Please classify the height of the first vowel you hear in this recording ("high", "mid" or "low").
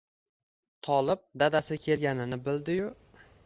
low